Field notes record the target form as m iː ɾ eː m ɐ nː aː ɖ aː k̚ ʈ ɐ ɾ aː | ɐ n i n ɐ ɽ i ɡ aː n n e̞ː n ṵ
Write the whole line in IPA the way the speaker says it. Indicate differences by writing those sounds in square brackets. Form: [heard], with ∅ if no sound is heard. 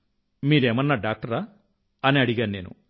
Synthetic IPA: m iː ɾ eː m ɐ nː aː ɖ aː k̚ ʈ ɐ ɾ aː | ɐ n i [∅] ɐ ɽ i ɡ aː n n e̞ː n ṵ